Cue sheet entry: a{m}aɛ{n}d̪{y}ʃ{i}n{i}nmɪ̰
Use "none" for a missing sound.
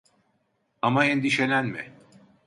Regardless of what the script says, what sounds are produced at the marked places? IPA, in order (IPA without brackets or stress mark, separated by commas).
m, n, i, e, æ